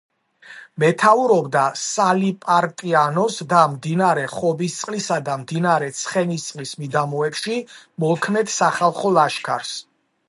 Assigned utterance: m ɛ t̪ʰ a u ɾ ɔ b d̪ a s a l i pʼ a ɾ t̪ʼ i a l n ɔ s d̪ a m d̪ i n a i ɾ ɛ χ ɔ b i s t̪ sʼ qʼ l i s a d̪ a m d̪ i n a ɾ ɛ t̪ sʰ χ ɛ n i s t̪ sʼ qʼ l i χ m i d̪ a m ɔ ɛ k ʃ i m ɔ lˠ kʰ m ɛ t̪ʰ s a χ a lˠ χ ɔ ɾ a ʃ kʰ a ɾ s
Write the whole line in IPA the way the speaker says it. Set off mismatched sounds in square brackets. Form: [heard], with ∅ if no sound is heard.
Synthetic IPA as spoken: m ɛ t̪ʰ a u ɾ ɔ b d̪ a s a l i pʼ a ɾ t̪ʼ i a [∅] n ɔ s d̪ a m d̪ i n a [a] ɾ ɛ χ ɔ b i s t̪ sʼ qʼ l i s a d̪ a m d̪ i n a ɾ ɛ t̪ sʰ χ ɛ n i s t̪ sʼ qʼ l i [s] m i d̪ a m ɔ ɛ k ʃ i m ɔ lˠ kʰ [n] ɛ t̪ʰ s a χ a lˠ χ ɔ [l] a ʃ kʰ a ɾ s